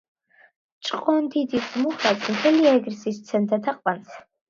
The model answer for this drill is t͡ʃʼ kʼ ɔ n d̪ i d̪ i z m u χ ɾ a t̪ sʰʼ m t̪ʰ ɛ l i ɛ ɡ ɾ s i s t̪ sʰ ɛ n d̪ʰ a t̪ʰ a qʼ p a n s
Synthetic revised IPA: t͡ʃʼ qʼ ɔ n d̪ i d̪ i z m u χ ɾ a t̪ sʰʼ m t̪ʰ ɛ l i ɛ ɡ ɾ s i s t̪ sʰ ɛ n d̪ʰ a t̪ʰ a qʼ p a n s